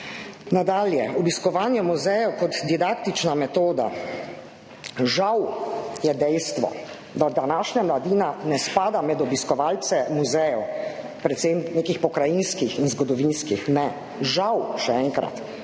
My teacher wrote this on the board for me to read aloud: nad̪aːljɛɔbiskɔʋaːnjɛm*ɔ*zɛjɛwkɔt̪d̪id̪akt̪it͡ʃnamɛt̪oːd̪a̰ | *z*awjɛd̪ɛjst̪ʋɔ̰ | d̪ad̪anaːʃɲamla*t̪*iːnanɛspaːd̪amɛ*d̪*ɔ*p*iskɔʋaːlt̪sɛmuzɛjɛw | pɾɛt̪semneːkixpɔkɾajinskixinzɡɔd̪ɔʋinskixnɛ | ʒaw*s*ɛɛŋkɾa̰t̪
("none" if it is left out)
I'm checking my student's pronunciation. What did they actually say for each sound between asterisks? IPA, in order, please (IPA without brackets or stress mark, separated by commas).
u, ʒ, d̪, d̪, b, ʃ